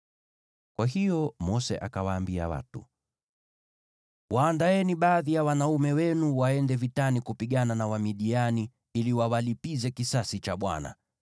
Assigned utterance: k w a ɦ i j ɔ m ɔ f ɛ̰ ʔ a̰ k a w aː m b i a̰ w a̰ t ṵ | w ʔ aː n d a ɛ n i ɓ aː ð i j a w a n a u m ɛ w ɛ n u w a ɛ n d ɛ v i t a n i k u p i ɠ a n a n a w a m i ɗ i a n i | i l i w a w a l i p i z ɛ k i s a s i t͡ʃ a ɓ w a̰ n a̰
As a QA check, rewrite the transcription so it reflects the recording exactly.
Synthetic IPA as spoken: k w a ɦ i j ɔ m ɔ s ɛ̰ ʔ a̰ k a w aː m b i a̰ w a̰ t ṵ | w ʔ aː n d a ɛ n i ɓ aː ð i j a w a n a u m ɛ w ɛ n u w a ɛ n d ɛ v i t a n i k u p i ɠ a n a n a w a m i ɗ i a n i | i l i w a w a l i p i z ɛ k i s a s i t͡ʃ a ɓ w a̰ n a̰